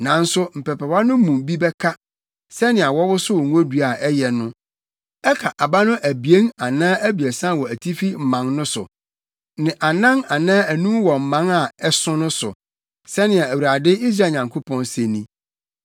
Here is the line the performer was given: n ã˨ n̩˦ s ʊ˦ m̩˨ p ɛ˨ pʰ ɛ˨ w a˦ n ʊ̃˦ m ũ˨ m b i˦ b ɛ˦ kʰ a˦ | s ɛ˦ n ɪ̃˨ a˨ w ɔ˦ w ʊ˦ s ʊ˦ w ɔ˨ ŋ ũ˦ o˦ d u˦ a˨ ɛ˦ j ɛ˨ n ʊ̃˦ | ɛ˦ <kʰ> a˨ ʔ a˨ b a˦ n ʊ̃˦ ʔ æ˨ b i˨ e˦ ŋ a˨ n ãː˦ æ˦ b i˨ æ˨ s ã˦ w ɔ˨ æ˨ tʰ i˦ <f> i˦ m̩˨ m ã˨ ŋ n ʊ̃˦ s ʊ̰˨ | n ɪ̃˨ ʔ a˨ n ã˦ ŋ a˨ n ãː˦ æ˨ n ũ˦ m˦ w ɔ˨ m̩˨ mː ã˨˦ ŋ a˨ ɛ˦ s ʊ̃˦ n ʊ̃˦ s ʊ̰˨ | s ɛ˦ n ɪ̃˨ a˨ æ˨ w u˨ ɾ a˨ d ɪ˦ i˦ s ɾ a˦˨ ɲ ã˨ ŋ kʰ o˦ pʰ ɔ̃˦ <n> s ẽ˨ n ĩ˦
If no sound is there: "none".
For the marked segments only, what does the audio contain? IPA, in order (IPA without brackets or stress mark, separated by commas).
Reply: kʰ, f, n